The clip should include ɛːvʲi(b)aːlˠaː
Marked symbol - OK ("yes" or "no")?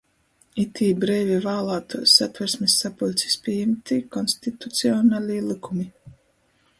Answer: no